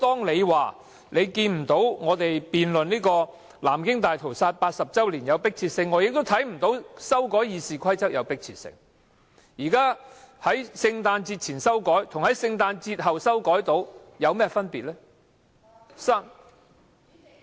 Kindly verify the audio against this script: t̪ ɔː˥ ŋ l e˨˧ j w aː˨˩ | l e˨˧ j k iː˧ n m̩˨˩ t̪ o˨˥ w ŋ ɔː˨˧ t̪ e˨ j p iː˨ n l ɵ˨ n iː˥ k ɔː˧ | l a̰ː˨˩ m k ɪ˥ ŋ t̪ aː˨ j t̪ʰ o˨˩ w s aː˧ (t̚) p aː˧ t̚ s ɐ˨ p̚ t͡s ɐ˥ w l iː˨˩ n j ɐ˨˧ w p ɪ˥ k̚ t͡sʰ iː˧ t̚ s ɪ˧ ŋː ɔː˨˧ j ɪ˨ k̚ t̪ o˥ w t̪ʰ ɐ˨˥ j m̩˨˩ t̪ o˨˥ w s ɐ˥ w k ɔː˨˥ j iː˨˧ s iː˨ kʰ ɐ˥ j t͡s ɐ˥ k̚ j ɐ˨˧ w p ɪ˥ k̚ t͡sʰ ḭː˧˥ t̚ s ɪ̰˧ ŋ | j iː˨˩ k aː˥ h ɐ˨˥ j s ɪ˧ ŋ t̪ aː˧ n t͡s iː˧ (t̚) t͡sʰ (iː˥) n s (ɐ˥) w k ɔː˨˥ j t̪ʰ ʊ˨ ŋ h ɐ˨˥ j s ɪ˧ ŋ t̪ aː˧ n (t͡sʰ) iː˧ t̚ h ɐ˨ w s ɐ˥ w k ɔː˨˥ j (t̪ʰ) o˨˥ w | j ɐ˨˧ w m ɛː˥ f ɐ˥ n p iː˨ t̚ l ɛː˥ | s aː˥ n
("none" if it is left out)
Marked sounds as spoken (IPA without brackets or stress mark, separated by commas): t̚, t̚, iː˨˩, ɐ˥, t͡s, t̪